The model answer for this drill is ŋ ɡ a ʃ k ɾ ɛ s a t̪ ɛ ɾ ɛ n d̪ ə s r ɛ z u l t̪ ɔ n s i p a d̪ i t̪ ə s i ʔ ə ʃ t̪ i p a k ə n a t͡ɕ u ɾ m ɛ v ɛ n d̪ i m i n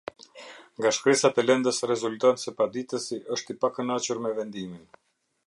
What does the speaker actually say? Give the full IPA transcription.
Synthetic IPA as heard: ŋ ɡ a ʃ k ɾ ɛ s a t̪ ɛ l ɛ n d̪ ə s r ɛ z u l t̪ ɔ n s ɛ p a d̪ i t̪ ə s i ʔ ə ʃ t̪ i p a k ə n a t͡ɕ u ɾ m ɛ v ɛ n d̪ i m i n